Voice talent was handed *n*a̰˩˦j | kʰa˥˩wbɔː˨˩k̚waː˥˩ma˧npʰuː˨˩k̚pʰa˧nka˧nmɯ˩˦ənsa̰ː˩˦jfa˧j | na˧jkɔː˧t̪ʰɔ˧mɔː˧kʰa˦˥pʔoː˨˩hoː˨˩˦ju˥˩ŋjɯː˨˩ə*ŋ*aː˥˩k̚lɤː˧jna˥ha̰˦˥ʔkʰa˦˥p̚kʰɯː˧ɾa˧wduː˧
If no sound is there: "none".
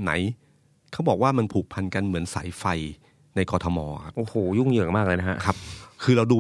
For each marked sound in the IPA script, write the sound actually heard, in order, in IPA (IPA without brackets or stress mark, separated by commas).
n, m